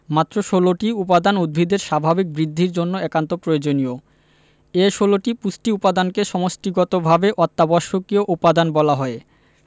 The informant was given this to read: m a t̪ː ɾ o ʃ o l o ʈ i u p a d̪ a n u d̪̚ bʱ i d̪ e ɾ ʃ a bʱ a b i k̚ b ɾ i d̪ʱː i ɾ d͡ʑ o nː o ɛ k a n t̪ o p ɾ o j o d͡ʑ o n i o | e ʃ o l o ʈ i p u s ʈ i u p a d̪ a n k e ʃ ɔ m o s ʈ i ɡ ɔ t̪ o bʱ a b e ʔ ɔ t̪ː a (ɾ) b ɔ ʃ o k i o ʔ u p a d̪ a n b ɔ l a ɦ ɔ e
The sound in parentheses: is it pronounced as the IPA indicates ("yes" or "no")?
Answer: no